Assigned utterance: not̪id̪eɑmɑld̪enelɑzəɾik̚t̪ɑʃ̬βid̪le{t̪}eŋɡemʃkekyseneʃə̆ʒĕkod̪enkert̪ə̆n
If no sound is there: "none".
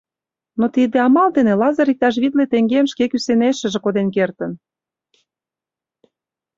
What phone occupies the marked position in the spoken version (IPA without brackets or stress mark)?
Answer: t̪